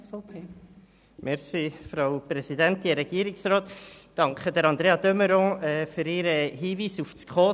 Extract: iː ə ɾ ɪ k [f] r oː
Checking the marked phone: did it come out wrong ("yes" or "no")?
yes